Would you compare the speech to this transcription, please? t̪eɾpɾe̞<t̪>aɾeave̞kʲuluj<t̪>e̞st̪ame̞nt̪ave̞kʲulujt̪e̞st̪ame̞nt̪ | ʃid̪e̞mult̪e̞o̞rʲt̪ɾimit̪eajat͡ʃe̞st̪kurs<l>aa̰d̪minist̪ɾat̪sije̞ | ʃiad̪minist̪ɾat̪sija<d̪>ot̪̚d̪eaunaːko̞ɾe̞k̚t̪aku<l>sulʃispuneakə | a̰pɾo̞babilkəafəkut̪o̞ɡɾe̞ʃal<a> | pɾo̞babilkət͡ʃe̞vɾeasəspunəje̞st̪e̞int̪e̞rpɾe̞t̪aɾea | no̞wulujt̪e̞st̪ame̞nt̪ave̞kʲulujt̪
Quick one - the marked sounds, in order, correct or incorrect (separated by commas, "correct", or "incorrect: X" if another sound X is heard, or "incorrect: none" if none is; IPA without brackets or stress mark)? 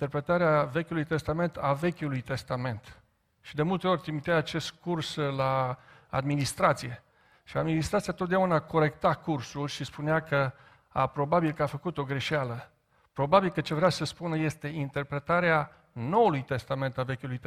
correct, correct, correct, incorrect: t̪, incorrect: r, incorrect: ə